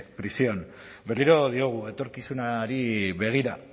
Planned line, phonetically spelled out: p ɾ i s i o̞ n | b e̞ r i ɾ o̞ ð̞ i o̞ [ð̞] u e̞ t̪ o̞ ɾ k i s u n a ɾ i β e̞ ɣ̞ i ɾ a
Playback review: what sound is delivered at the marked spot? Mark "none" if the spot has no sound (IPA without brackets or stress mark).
ɣ̞